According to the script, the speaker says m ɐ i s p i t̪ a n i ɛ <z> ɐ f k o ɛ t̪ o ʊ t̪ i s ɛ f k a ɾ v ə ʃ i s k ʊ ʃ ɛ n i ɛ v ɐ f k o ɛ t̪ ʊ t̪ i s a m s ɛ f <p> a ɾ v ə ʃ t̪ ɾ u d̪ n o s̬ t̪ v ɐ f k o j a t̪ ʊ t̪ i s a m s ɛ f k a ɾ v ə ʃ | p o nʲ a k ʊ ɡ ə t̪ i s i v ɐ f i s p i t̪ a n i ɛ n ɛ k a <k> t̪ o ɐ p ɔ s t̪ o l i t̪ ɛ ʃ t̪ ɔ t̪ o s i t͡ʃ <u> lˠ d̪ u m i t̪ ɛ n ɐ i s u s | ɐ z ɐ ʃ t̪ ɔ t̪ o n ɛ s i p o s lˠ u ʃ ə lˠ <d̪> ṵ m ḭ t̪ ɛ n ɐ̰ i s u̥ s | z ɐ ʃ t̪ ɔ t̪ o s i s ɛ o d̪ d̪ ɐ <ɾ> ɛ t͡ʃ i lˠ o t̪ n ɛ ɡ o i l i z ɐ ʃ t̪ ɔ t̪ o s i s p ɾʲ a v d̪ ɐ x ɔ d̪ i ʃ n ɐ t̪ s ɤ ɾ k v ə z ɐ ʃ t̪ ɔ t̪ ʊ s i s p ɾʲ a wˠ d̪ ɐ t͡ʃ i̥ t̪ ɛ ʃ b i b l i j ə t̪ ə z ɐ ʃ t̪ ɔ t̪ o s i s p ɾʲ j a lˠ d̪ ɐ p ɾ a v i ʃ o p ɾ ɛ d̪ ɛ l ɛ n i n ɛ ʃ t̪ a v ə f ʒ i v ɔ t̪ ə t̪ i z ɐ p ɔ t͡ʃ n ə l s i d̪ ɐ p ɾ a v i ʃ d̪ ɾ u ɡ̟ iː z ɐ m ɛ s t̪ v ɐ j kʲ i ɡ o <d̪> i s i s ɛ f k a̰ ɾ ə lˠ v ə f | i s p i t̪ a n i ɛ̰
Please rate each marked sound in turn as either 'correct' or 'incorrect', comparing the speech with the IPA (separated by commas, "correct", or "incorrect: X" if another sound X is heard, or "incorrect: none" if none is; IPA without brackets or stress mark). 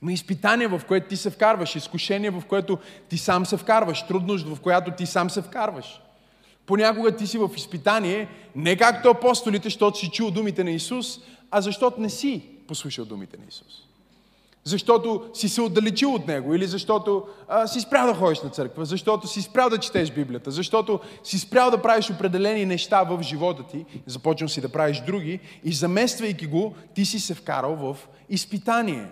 incorrect: v, incorrect: k, correct, correct, correct, incorrect: l, incorrect: t̪